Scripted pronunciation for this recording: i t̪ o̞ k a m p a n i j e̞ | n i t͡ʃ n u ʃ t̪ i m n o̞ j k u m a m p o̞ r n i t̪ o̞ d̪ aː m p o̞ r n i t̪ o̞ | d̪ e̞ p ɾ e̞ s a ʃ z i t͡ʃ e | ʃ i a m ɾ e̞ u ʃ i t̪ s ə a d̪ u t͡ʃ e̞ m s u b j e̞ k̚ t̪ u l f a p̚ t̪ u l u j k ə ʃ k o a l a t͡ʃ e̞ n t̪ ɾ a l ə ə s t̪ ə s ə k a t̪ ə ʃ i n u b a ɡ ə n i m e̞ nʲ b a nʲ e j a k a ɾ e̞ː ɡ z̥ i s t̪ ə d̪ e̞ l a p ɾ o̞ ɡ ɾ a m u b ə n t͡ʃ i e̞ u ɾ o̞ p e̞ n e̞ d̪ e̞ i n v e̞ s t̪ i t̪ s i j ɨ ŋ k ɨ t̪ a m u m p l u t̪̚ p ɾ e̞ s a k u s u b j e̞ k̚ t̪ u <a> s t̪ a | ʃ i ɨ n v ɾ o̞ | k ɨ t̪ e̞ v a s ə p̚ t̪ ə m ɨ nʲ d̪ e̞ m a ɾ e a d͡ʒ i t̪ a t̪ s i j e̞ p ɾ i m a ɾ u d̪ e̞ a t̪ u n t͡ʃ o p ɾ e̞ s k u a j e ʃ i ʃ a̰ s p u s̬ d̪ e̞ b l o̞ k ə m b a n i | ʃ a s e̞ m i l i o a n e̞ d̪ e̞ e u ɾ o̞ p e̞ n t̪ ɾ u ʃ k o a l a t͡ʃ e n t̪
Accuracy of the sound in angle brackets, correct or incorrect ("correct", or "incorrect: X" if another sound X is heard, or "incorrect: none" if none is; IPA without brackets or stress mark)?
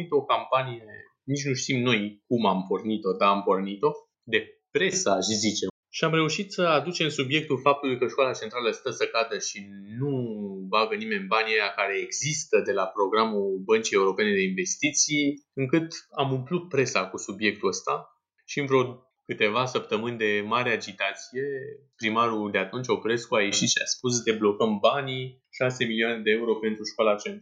incorrect: ə